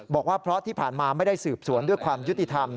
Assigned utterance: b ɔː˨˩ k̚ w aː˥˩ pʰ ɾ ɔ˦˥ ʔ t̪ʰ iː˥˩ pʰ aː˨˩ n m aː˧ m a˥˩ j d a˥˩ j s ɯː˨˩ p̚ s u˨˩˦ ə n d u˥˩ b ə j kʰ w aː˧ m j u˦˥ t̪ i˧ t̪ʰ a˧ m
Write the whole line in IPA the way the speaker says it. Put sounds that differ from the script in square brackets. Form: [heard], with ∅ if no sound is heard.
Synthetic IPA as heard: b ɔː˨˩ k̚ w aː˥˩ pʰ ɾ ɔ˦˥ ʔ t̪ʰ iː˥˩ pʰ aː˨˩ n m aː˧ m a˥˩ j d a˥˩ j s ɯː˨˩ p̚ s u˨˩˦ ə n d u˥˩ [∅] ə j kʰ w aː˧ m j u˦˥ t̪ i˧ t̪ʰ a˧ m